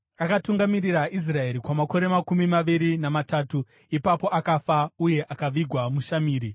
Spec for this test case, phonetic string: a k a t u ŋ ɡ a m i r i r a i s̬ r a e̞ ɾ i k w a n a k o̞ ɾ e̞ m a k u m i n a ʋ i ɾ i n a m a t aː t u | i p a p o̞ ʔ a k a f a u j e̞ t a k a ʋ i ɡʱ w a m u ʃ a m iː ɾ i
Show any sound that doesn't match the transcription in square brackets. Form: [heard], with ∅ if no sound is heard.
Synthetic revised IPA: a k a t u ŋ ɡ a m i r i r a i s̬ r a e̞ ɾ i k w a [m] a k o̞ ɾ e̞ m a k u m i [m] a ʋ i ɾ i n a m a t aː t u | i p a p o̞ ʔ a k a f a u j e̞ [ʔ] a k a ʋ i ɡʱ w a m u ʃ a m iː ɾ i